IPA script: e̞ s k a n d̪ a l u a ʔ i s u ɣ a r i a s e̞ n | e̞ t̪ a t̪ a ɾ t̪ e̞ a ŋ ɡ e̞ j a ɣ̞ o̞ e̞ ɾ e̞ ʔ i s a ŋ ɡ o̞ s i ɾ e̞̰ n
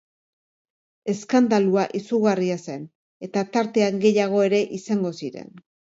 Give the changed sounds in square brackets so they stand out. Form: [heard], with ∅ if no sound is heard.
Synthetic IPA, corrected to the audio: e̞ s k a n d̪ a l u a ʔ i s u ɣ a r i a s e̞ n | e̞ t̪ a t̪ a ɾ t̪ e̞ a ŋ ɡ e̞ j a ɣ̞ o̞ e̞ ɾ e̞ ʔ i s a ŋ ɡ o̞ s i ɾ e̞̰ n